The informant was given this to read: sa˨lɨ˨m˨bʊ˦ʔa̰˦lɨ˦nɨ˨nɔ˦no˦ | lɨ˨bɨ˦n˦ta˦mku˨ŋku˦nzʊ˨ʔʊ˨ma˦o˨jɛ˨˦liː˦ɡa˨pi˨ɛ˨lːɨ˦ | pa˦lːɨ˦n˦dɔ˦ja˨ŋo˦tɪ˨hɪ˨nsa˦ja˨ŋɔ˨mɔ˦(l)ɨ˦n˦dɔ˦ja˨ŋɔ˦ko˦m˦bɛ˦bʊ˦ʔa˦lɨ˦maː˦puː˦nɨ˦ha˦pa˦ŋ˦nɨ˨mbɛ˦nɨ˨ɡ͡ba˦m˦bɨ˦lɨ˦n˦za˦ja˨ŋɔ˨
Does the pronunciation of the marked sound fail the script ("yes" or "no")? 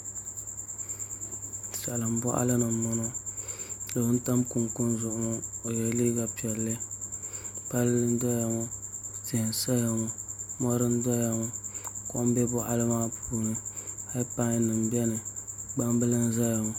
yes